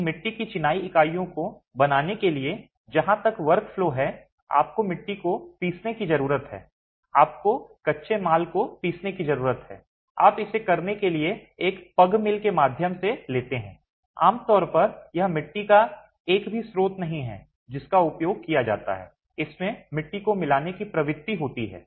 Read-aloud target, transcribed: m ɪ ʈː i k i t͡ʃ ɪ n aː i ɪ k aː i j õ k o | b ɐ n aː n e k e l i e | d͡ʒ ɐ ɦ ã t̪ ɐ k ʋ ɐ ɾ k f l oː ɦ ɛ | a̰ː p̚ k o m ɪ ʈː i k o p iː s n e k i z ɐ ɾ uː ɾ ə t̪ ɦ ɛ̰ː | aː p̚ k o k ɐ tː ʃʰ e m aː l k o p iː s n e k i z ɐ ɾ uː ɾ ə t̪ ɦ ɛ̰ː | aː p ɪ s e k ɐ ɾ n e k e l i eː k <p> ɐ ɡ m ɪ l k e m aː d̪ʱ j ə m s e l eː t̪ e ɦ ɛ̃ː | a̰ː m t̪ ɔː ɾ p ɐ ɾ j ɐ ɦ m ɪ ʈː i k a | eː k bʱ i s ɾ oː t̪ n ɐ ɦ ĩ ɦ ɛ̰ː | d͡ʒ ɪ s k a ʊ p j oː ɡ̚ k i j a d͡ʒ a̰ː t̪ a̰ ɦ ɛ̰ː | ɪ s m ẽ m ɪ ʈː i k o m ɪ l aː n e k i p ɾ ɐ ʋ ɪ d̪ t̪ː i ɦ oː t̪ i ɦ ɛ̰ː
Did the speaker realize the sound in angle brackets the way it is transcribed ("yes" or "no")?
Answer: yes